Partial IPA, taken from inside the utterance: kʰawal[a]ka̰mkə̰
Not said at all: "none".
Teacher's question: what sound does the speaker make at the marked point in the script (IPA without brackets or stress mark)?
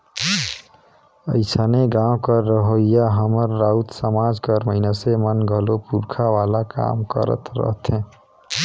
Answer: a